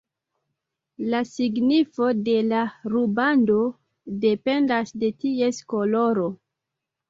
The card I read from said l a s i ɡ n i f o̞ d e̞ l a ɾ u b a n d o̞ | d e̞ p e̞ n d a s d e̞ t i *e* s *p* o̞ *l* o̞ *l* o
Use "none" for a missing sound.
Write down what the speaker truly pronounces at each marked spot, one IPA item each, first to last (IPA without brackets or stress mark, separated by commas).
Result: e, k, l, ɾ